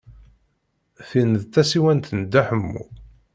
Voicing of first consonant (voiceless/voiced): voiceless